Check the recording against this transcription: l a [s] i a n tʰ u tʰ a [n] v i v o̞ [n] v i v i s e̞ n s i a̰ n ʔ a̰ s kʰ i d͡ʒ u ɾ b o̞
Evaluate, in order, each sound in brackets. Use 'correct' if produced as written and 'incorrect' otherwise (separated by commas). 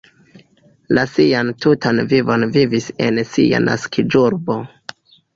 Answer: correct, correct, correct